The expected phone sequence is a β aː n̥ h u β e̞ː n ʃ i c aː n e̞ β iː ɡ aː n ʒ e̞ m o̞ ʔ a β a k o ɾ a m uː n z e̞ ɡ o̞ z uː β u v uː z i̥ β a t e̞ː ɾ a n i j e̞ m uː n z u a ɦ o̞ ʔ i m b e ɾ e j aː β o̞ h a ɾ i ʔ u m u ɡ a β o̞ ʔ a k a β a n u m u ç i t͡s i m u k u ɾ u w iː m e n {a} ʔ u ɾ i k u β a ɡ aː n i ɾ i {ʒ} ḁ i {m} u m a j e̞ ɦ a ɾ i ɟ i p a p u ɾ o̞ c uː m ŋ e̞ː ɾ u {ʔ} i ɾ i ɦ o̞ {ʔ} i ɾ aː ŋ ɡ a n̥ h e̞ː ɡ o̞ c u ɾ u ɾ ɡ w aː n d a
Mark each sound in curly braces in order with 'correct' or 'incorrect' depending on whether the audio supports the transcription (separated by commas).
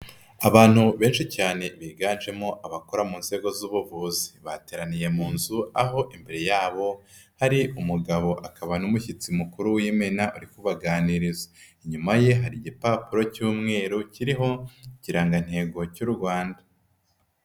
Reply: correct, incorrect, incorrect, incorrect, incorrect